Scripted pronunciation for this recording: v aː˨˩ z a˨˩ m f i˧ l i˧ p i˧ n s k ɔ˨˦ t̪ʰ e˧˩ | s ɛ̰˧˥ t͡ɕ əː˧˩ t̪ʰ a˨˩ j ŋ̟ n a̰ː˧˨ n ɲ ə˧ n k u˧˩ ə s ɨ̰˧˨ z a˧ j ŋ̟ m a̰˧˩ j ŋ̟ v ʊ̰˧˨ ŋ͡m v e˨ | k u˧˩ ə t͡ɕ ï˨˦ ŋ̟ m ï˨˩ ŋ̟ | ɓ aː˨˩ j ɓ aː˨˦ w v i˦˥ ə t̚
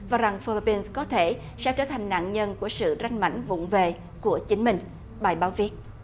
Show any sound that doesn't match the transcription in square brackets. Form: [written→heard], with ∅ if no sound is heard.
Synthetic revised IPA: v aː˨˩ z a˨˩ [m→ŋ] f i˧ l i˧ p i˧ n s k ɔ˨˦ t̪ʰ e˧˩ | s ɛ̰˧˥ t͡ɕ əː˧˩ t̪ʰ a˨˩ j ŋ̟ n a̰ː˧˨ n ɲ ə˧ n k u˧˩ ə s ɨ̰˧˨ z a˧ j ŋ̟ m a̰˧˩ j ŋ̟ v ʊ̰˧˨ ŋ͡m v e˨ | k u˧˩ ə t͡ɕ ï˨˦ ŋ̟ m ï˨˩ ŋ̟ | ɓ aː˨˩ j ɓ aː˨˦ w v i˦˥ ə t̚